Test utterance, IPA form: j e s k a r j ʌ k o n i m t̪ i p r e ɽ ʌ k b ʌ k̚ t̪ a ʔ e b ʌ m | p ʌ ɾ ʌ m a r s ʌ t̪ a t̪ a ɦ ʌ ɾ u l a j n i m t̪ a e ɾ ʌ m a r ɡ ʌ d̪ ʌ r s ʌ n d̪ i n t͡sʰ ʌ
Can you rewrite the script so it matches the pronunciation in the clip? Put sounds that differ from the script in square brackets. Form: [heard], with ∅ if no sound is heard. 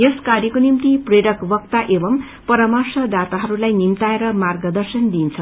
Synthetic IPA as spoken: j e s k a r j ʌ k o n i m t̪ i p r e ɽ ʌ k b ʌ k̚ t̪ a ʔ e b ʌ m | p ʌ ɾ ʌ m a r s ʌ [d̪] a t̪ a ɦ ʌ ɾ u l a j n i m t̪ a e ɾ ʌ m a r ɡ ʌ d̪ ʌ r s ʌ n d̪ i n t͡sʰ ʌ